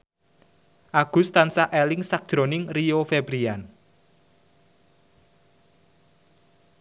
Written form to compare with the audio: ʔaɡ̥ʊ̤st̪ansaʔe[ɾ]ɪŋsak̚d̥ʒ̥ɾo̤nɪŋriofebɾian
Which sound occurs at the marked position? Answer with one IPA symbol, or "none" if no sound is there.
l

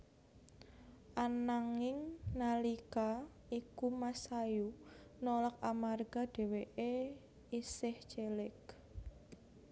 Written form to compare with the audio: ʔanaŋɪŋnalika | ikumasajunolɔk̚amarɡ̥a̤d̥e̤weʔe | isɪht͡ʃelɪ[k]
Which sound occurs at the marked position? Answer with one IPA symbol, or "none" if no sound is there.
k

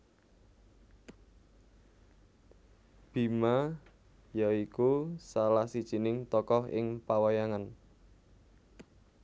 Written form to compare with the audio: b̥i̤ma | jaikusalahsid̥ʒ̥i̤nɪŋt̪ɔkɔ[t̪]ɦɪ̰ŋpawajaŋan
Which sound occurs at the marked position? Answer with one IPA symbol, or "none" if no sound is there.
none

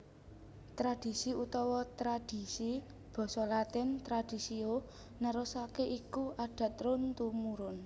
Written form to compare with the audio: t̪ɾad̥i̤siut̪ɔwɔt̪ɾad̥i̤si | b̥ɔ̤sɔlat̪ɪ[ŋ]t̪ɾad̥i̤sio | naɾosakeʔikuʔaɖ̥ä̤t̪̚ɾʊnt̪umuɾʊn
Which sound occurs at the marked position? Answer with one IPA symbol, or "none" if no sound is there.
n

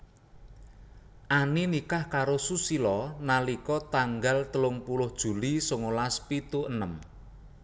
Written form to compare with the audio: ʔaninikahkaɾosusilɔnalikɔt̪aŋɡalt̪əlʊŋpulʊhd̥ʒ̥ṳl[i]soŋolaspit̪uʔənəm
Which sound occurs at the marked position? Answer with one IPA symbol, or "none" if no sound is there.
i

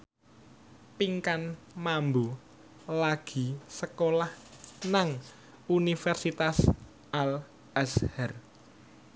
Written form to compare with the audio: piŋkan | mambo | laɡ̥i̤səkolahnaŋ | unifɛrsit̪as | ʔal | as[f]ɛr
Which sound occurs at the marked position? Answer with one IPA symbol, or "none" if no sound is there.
h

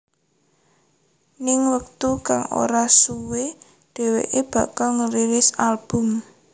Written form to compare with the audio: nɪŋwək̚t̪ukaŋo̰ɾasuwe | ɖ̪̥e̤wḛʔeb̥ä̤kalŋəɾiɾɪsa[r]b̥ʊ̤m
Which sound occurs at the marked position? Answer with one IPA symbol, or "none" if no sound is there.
l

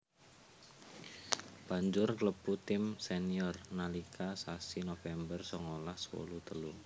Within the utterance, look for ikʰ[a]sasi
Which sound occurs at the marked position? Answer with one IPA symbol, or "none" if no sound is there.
a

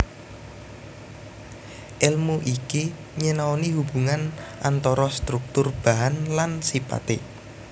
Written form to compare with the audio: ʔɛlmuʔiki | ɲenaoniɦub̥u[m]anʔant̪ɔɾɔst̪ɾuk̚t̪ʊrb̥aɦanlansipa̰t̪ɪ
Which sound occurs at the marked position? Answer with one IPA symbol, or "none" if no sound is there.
ŋ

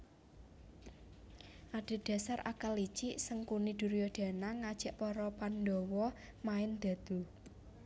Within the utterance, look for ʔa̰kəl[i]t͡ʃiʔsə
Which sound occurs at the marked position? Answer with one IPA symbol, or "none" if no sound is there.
i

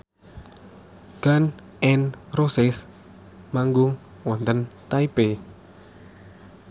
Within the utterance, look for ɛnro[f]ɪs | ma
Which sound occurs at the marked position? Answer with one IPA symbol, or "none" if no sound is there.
s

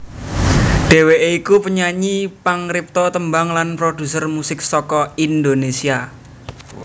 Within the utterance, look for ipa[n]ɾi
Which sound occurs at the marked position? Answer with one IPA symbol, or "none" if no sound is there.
ŋ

